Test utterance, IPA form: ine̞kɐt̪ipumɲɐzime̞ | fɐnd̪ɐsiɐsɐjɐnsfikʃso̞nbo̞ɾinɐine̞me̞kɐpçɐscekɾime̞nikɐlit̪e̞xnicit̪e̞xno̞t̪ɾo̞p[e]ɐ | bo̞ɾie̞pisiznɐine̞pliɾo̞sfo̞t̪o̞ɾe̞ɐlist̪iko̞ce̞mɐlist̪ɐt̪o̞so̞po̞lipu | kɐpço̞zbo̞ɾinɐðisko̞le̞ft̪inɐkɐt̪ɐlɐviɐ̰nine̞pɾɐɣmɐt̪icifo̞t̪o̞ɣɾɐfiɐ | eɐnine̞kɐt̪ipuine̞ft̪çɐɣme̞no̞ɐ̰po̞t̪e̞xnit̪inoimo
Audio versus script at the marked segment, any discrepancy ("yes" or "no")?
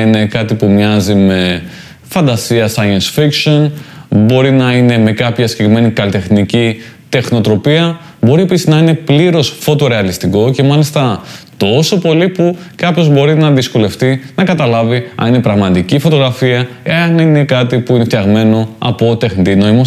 yes